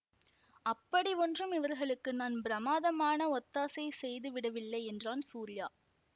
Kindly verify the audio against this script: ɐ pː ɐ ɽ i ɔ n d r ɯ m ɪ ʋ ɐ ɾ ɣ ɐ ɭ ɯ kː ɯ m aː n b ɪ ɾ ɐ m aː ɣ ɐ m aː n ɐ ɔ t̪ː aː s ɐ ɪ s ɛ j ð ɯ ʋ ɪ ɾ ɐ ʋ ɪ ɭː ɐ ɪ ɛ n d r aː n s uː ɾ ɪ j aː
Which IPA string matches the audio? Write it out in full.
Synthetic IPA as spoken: ɐ pː ɐ ɽ i ɔ n d r ɯ m ɪ ʋ ɐ ɾ ɣ ɐ ɭ ɯ kː ɯ n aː n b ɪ ɾ ɐ m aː ð ɐ m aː n ɐ ɔ t̪ː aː s ɐ ɪ s ɛ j ð ɯ ʋ ɪ ɽ ɐ ʋ ɪ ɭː ɐ ɪ ɛ n d r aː n s uː ɾ ɪ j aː